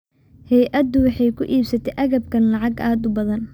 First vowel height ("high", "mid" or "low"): mid